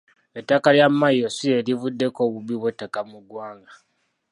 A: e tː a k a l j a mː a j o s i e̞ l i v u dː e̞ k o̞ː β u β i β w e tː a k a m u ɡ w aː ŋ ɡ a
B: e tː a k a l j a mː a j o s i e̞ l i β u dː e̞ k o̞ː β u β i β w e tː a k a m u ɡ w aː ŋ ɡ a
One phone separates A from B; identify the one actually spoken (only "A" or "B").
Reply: A